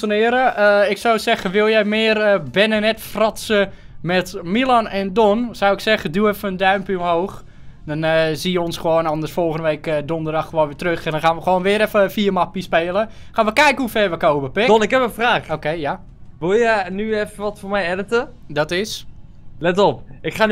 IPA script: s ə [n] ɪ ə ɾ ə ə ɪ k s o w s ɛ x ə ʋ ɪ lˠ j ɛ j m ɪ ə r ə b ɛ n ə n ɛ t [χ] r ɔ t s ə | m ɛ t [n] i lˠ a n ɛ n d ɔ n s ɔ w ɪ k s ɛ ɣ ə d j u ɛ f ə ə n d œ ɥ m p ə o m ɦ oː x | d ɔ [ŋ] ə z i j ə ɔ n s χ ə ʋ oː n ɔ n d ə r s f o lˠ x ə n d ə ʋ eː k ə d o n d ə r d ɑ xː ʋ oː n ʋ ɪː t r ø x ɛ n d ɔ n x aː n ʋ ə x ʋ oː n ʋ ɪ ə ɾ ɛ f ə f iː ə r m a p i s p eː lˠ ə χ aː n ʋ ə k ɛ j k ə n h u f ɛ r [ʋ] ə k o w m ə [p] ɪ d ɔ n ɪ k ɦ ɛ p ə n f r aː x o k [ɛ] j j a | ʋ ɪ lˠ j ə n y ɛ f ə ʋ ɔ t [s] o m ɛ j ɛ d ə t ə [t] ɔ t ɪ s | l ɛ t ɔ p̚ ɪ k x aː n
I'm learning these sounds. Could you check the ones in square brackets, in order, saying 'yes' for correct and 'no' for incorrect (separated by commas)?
yes, no, no, no, yes, yes, no, no, no